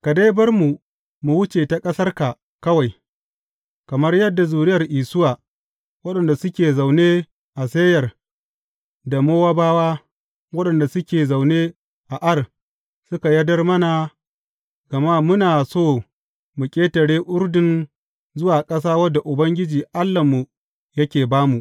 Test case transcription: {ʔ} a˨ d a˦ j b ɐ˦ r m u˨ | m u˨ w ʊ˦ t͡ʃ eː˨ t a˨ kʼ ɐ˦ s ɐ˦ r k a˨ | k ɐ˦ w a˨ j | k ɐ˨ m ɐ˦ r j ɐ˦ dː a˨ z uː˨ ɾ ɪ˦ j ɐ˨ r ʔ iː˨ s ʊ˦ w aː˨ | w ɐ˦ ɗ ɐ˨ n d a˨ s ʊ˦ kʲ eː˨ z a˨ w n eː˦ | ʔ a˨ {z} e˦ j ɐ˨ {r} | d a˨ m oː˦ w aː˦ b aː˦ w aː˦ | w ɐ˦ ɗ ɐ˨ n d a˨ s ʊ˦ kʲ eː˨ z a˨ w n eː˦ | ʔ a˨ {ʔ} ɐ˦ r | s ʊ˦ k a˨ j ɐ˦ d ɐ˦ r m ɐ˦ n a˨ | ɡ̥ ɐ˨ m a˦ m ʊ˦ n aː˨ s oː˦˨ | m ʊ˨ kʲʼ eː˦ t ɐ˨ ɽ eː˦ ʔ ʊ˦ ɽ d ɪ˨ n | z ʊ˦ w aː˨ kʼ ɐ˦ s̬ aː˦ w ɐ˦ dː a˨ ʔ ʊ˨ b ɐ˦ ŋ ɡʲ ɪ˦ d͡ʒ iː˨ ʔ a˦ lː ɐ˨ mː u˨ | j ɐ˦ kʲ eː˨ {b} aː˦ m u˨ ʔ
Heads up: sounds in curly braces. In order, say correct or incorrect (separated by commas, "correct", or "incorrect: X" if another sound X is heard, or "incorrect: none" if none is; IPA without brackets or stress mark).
incorrect: k, incorrect: s, correct, correct, correct